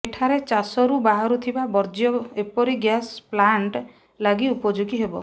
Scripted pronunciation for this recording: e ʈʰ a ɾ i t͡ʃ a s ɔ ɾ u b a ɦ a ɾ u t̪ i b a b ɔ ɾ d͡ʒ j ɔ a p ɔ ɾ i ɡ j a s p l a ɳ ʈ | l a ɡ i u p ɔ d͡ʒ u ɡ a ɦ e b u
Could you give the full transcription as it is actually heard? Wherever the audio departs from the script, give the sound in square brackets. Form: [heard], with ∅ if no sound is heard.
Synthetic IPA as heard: e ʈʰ a ɾ [e] t͡ʃ a s ɔ ɾ u b a ɦ a ɾ u [t̪ʰ] i b a b ɔ ɾ d͡ʒ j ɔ [e] p ɔ ɾ i ɡ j a s p l a ɳ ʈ | l a ɡ i u p ɔ d͡ʒ u ɡ [i] ɦ e b [ɔ]

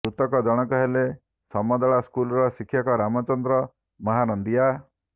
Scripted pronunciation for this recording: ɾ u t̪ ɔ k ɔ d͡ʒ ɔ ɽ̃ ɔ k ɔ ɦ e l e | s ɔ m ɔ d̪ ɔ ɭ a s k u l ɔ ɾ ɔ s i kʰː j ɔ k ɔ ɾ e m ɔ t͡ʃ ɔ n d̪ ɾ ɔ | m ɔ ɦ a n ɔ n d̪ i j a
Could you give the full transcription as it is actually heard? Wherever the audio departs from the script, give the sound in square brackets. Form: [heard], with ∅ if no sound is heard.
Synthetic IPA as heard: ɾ u t̪ ɔ k ɔ d͡ʒ ɔ ɽ̃ ɔ k ɔ ɦ e l e | s ɔ m ɔ d̪ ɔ ɭ a s k u l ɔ ɾ ɔ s i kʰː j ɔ k ɔ ɾ [a] m ɔ t͡ʃ ɔ n d̪ ɾ ɔ | m ɔ ɦ a n ɔ n d̪ i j a

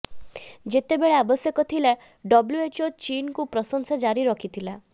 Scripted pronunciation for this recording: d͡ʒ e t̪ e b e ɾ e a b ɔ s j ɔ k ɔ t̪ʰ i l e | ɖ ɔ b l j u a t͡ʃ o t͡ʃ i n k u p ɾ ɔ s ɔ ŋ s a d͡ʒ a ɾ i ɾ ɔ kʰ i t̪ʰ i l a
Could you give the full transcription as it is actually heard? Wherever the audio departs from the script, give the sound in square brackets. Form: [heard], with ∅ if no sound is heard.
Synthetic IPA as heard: d͡ʒ e t̪ e b e [ɭ] e a b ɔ s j ɔ k ɔ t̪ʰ i l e | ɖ ɔ b l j u [e] t͡ʃ o t͡ʃ i n k u p ɾ ɔ s ɔ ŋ s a d͡ʒ a ɾ i ɾ ɔ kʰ i t̪ʰ i l a

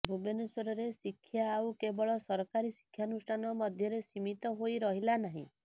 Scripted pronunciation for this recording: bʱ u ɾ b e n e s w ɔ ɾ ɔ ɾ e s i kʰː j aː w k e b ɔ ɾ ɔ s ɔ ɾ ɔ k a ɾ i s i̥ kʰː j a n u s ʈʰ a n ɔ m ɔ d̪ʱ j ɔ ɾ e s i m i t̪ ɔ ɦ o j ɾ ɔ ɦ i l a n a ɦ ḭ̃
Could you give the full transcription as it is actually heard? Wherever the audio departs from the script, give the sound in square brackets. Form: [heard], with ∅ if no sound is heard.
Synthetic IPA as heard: bʱ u [∅] b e n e s w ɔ ɾ ɔ ɾ e s i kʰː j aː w k e b ɔ [ɭ] ɔ s ɔ ɾ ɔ k a ɾ i s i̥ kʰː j a n u s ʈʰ a n ɔ m ɔ d̪ʱ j ɔ ɾ e s i m i t̪ ɔ ɦ o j ɾ ɔ ɦ i l a n a ɦ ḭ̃

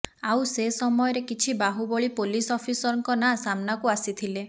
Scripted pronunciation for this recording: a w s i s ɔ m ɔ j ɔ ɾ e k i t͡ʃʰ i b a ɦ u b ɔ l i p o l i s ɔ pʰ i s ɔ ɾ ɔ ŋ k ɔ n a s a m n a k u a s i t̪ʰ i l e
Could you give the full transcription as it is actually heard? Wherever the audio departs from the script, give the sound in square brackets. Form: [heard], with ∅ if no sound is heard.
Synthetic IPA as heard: a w s [e] s ɔ m ɔ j ɔ ɾ e k i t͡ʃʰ i b a ɦ u b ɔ [ɭ] i p o l i s ɔ pʰ i s ɔ ɾ ɔ ŋ k ɔ n a s a m n a k u a s i t̪ʰ i l e

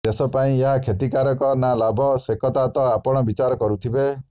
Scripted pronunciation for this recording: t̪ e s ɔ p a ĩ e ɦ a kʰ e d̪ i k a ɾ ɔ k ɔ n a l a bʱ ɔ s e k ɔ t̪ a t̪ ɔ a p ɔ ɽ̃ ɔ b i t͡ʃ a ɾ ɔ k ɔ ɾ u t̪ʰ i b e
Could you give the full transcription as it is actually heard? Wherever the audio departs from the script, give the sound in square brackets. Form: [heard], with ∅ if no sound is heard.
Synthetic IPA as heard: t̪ e s ɔ p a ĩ e ɦ a kʰ e [t̪] i k a ɾ ɔ k ɔ n a l a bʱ ɔ s e k ɔ t̪ a t̪ ɔ a p ɔ ɽ̃ ɔ b i t͡ʃ a ɾ ɔ k ɔ ɾ u t̪ʰ i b e

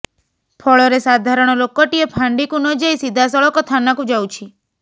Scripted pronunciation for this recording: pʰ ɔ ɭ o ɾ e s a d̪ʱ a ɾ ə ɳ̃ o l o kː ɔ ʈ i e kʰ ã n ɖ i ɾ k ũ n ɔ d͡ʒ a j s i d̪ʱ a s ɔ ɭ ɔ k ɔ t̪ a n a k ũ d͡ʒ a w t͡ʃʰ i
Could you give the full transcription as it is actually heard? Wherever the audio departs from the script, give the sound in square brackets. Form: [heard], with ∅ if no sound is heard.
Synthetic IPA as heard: pʰ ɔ ɭ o ɾ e s a d̪ʱ a ɾ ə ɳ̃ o l o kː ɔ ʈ i e [pʰ] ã [ɳ] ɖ i [∅] k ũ n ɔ d͡ʒ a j s i d̪ʱ a s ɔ ɭ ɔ k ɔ [t̪ʰ] a n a k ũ d͡ʒ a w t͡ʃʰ i

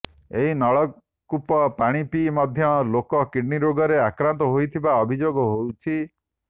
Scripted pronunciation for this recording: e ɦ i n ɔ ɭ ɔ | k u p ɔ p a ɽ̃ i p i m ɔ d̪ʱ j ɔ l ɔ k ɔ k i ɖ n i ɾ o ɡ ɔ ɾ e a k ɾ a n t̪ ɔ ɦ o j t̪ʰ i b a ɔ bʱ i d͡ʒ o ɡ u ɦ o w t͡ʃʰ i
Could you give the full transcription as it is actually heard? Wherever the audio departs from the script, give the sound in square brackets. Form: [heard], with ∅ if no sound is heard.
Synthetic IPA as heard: e ɦ i n ɔ ɭ ɔ | k u p ɔ p a ɽ̃ i p i m ɔ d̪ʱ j ɔ l [o] k ɔ k i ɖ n i ɾ o ɡ ɔ ɾ e a k ɾ a n t̪ ɔ ɦ o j t̪ʰ i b a ɔ bʱ i d͡ʒ o ɡ [ɔ] ɦ o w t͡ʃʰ i

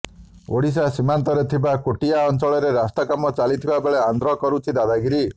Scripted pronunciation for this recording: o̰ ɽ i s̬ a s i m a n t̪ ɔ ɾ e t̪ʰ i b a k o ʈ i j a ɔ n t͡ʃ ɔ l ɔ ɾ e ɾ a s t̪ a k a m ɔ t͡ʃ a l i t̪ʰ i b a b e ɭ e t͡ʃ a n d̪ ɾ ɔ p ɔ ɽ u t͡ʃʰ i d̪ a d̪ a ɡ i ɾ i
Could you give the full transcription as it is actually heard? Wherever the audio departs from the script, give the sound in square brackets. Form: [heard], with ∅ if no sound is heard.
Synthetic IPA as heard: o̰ ɽ i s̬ a s i m a n t̪ ɔ ɾ e t̪ʰ i b a k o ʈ i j a ɔ n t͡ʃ ɔ [ɭ] ɔ ɾ e ɾ a s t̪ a k a m ɔ t͡ʃ a l i t̪ʰ i b a b e ɭ e [∅] a n d̪ ɾ ɔ [k] ɔ [ɾ] u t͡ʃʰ i d̪ a d̪ a ɡ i ɾ i

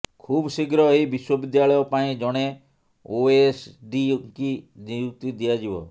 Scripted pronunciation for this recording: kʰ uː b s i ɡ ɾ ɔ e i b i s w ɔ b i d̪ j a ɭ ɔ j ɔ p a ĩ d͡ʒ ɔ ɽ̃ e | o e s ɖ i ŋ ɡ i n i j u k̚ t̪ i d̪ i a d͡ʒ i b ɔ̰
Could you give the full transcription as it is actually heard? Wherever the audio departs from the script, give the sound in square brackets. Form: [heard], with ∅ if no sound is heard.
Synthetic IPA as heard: kʰ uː b s i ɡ ɾ ɔ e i b i s w ɔ b i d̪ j a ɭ ɔ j ɔ p a ĩ d͡ʒ ɔ ɽ̃ e | o e s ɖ i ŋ [k] i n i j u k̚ t̪ i d̪ i a d͡ʒ i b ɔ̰

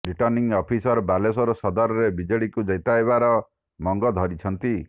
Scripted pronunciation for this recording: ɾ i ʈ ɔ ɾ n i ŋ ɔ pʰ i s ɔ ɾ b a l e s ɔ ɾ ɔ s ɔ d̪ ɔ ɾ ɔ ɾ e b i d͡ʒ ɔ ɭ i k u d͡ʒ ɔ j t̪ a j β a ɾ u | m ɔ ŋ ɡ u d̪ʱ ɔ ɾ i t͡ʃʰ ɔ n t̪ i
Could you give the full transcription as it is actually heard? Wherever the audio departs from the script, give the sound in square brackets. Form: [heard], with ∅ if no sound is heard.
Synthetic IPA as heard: ɾ i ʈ ɔ ɾ n i ŋ ɔ pʰ i s ɔ ɾ b a l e s ɔ ɾ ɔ s ɔ d̪ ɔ ɾ ɔ ɾ e b i d͡ʒ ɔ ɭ i k u d͡ʒ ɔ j t̪ a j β a ɾ [ɔ] | m ɔ ŋ ɡ [ɔ] d̪ʱ ɔ ɾ i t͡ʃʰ ɔ n t̪ i

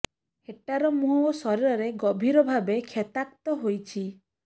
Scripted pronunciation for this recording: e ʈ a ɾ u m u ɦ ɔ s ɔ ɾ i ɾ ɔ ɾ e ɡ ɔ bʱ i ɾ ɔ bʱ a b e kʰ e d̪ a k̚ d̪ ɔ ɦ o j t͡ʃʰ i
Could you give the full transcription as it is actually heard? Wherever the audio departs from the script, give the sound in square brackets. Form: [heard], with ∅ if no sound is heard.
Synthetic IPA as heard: e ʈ a ɾ [ɔ] m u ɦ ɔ s ɔ ɾ i ɾ ɔ ɾ e ɡ ɔ bʱ i ɾ ɔ bʱ a b e kʰ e [t̪] a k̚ [t̪] ɔ ɦ o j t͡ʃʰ i

